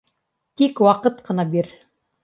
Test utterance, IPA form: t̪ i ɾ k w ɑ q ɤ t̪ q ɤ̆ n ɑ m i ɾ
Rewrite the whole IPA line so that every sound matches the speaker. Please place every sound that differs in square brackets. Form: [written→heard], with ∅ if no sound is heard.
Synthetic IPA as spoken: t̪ i [ɾ→∅] k w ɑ q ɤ t̪ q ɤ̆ n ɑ [m→b] i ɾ